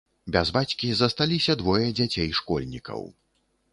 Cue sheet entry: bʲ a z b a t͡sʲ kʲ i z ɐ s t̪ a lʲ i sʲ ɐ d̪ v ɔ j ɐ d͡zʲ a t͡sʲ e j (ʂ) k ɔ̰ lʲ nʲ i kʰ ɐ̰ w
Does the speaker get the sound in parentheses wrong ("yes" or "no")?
no